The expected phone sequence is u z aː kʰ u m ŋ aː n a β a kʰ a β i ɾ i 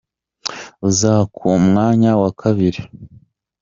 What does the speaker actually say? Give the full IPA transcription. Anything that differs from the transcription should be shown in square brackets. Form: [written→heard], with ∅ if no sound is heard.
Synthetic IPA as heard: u z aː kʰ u m ŋ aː [n→ɲ] a [β→w] a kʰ a β i ɾ i

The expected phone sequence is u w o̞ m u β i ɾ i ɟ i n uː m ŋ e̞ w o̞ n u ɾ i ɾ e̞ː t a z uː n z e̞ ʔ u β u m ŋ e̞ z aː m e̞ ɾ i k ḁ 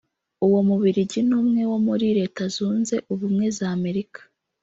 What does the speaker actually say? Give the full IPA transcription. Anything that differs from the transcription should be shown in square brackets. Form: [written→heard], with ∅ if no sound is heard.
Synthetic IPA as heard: u w o̞ m u β i ɾ i ɟ i n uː m ŋ e̞ w o̞ [n→m] u ɾ i ɾ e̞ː t a z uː n z e̞ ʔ u β u m ŋ e̞ z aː m e̞ ɾ i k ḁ

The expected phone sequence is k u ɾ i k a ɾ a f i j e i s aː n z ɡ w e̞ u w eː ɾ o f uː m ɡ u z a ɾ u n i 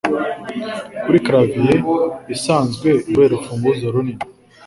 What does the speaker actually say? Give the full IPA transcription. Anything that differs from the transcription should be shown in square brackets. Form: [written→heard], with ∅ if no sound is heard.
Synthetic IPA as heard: k u ɾ i k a ɾ a [f→v] i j e i s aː n z ɡ w e̞ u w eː ɾ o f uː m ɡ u z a ɾ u n i

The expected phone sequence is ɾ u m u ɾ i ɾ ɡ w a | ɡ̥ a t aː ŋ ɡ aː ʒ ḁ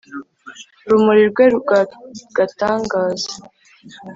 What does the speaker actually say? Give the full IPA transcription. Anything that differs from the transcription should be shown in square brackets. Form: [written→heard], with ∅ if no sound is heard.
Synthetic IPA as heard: ɾ u m u ɾ i ɾ ɡ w [a→e] | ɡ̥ a t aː ŋ ɡ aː [ʒ→z] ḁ

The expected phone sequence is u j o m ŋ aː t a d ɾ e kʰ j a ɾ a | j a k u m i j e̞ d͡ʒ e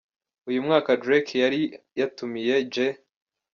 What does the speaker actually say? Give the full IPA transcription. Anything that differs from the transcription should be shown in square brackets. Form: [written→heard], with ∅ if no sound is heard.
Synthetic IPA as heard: u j [o→u] m ŋ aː [t→k] a d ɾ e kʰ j a ɾ [a→i] | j a [k→t] u m i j e̞ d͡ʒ e

